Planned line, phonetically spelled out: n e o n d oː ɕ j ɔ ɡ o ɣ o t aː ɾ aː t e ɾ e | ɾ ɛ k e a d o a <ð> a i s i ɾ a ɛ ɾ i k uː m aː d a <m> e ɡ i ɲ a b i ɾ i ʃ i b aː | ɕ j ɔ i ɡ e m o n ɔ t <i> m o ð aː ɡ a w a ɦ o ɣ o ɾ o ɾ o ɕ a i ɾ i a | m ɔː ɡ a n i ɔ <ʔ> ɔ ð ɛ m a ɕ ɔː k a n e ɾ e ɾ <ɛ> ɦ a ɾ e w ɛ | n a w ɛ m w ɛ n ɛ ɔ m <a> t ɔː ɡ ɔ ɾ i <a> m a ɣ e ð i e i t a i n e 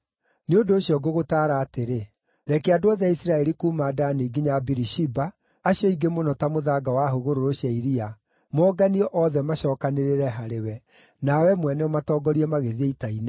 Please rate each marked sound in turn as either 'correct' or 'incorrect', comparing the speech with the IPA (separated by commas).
correct, incorrect, incorrect, correct, correct, correct, incorrect